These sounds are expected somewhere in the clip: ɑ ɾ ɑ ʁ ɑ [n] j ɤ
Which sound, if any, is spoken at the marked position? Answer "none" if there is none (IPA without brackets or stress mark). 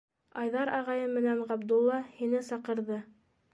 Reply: none